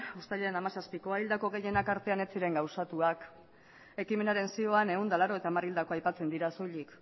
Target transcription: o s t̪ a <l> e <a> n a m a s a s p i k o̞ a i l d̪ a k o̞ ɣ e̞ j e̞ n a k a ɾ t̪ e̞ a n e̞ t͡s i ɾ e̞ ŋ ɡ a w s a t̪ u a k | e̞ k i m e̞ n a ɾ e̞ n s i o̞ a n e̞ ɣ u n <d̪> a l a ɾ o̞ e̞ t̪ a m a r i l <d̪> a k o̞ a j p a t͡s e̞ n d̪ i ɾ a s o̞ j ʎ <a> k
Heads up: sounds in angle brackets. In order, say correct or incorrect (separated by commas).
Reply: incorrect, incorrect, correct, correct, incorrect